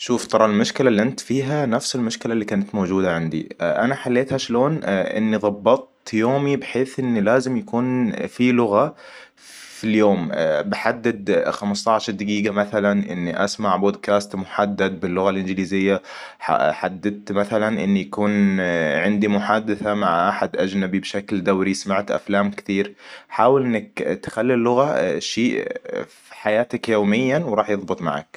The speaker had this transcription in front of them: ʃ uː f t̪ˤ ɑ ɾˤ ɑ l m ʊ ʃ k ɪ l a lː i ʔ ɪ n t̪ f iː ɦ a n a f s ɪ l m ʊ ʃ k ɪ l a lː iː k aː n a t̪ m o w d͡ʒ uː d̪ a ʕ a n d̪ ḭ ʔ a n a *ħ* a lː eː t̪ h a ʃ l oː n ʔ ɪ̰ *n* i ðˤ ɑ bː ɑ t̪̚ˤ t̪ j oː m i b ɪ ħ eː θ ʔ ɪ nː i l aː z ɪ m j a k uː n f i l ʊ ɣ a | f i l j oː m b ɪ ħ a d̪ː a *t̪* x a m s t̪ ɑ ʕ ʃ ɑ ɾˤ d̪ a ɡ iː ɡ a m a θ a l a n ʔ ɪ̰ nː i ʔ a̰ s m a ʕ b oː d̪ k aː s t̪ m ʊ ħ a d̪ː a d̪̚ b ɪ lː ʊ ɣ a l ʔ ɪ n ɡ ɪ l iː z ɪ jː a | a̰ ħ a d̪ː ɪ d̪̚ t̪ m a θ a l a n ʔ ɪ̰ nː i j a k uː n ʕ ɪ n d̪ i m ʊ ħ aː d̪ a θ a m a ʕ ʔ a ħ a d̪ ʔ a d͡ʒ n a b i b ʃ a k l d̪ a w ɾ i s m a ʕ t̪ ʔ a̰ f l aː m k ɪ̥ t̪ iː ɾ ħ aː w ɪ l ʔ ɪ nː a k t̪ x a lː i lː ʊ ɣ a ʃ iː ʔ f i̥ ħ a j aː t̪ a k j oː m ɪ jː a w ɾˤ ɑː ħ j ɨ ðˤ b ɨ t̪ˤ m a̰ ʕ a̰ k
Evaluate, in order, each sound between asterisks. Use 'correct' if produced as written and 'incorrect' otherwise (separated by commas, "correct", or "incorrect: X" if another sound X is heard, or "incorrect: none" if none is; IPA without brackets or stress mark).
correct, incorrect: nː, incorrect: d̪